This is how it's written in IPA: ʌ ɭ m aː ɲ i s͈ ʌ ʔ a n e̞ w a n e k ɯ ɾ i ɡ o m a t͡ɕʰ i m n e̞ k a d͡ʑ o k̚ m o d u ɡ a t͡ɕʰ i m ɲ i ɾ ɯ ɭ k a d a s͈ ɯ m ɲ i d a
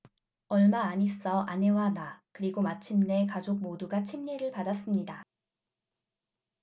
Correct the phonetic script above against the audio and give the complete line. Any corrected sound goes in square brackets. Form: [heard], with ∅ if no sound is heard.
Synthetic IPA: ʌ ɭ m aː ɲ i s͈ ʌ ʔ a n e̞ w a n [a] k ɯ ɾ i ɡ o m a t͡ɕʰ i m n e̞ k a d͡ʑ o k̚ m o d u ɡ a t͡ɕʰ i m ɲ i ɾ ɯ ɭ [p] a d a s͈ ɯ m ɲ i d a